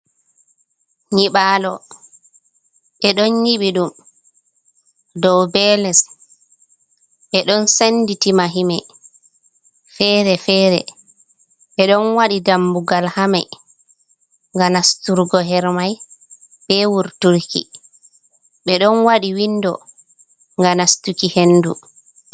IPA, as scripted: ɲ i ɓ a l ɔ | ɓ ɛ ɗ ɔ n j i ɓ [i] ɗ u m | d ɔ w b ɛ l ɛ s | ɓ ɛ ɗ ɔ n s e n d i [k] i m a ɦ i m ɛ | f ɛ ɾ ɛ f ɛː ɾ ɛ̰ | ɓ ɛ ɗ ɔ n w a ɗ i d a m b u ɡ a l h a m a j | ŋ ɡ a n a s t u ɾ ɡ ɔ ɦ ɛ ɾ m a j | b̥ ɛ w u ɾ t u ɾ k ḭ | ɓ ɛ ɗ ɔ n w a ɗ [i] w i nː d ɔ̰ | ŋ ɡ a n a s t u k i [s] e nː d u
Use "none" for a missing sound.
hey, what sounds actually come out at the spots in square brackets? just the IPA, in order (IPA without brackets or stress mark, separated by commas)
i, t, i, h